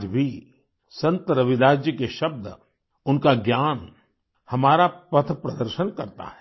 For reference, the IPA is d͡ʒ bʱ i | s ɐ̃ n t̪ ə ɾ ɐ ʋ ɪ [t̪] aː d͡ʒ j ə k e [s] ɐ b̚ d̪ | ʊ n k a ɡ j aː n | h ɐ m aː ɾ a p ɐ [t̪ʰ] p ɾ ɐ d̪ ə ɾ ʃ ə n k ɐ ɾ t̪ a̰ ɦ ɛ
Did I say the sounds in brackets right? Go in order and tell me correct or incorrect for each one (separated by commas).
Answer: incorrect, incorrect, correct